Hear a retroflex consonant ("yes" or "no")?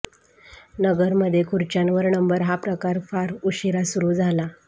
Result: no